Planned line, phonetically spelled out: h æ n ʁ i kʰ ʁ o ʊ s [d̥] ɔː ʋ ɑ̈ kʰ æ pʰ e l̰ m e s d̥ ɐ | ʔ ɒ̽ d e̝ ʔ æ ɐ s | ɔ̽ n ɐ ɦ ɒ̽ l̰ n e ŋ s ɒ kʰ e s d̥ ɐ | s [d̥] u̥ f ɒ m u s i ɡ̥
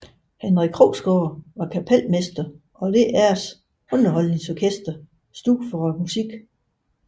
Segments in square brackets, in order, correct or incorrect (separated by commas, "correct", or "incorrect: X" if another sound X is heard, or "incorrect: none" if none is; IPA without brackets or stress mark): incorrect: ɡ̥, correct